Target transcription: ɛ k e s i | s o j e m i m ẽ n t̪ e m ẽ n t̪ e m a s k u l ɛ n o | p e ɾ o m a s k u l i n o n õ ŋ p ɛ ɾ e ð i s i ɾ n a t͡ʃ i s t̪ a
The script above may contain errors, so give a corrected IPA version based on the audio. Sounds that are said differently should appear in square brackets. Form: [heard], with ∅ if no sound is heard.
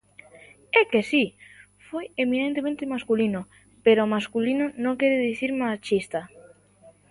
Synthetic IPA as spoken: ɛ k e s i | [f] o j e m i [n] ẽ n t̪ e m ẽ n t̪ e m a s k u l [i] n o | p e ɾ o m a s k u l i n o n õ ŋ [k] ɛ ɾ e ð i [θ] i ɾ [m] a t͡ʃ i s t̪ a